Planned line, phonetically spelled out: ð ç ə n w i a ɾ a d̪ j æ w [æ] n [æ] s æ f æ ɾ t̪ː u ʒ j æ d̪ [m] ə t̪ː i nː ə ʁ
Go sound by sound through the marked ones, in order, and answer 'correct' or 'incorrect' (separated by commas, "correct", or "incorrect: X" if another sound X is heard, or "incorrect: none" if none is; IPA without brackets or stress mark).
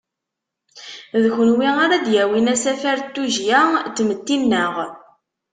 incorrect: i, correct, correct